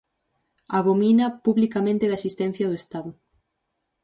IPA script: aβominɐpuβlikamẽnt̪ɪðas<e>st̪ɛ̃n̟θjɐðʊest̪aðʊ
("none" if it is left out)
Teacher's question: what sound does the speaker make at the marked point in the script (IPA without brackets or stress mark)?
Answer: i